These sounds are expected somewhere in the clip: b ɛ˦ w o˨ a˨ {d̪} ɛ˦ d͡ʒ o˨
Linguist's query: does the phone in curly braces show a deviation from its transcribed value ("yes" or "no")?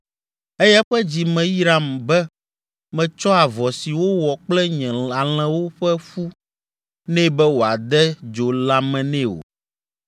no